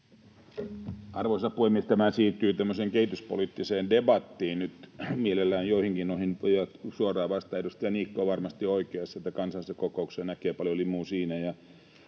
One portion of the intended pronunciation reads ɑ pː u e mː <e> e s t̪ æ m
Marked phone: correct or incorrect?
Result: incorrect